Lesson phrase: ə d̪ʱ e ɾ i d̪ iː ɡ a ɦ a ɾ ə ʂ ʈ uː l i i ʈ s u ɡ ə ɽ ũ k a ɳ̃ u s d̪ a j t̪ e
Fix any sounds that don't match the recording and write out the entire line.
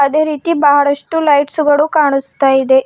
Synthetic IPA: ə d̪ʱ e ɾ i t̪ iː b a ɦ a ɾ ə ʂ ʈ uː l a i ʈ s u ɡ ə ɽ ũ k a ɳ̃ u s t̪ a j d̪ e